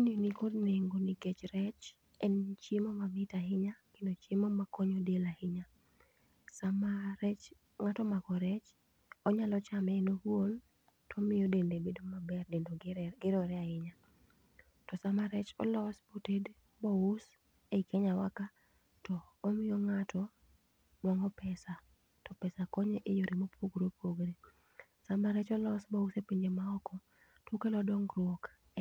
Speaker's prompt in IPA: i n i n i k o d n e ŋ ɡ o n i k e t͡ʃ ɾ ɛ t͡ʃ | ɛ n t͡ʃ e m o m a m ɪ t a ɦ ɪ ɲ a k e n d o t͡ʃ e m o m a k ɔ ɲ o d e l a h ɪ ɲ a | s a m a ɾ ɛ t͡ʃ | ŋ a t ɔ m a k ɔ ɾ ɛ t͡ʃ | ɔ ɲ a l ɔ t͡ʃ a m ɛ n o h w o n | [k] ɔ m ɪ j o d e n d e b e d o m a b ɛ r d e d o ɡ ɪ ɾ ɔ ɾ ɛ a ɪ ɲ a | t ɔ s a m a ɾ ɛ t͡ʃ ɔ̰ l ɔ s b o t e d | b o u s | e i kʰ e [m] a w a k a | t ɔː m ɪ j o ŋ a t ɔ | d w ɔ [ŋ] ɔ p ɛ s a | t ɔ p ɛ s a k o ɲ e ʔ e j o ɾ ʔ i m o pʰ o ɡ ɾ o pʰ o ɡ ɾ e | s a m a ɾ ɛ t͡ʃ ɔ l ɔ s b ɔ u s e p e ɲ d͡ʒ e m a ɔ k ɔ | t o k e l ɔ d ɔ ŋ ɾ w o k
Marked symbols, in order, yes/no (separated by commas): no, no, yes